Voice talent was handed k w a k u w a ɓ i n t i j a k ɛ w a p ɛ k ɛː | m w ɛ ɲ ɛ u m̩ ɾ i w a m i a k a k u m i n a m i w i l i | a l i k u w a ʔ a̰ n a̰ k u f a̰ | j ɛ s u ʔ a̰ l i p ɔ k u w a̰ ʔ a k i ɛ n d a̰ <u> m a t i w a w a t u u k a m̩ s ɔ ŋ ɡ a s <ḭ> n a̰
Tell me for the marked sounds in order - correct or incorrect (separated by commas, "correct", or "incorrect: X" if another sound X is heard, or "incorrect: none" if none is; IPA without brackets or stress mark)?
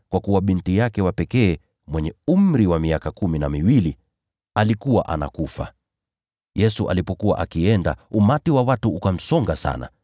correct, incorrect: a̰